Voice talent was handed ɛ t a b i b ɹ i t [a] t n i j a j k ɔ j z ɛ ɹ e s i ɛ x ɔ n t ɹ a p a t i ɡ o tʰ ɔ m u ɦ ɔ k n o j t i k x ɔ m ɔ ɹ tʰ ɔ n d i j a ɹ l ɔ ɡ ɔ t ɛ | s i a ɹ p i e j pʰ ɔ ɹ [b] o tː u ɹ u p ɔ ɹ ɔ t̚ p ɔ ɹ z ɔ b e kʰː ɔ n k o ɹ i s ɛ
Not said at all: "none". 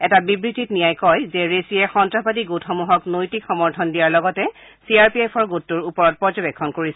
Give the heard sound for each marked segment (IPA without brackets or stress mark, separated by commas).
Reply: i, ɡ